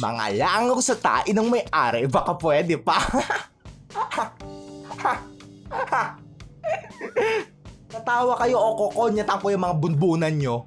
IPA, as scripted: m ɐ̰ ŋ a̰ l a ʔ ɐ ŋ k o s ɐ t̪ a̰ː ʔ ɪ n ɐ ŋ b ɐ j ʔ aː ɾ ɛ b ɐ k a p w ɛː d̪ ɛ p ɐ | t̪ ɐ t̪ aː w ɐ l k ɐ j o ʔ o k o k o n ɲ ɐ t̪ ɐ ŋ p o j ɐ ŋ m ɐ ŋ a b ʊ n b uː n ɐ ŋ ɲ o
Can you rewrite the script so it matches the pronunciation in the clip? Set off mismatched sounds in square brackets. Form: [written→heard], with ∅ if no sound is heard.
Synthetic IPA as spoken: m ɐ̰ ŋ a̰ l a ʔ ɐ ŋ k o s ɐ t̪ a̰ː ʔ ɪ n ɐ ŋ [b→m] ɐ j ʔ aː ɾ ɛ b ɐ k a p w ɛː d̪ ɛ p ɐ | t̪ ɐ t̪ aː w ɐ [l→∅] k ɐ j o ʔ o k o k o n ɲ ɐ t̪ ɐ ŋ [p→k] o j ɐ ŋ m ɐ ŋ a b ʊ n b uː n ɐ [ŋ→n] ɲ o